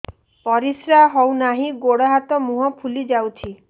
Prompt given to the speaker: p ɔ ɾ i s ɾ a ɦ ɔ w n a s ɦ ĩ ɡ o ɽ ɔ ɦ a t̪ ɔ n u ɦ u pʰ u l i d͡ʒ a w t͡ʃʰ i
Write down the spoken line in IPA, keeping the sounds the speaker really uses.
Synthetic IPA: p ɔ ɾ i s ɾ a ɦ ɔ w n a ɦ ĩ ɡ o ɽ ɔ ɦ a t̪ ɔ m u ɦ ɔ pʰ u l i d͡ʒ a w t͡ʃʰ i